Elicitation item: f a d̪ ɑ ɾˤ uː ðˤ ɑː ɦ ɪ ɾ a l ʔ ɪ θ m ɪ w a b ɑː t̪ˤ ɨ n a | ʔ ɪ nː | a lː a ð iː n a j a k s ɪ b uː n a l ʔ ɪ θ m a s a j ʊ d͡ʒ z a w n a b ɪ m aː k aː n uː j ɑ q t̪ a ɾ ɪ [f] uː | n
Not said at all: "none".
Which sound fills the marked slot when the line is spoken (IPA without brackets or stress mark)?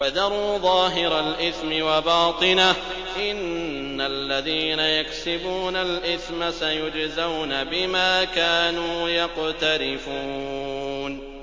f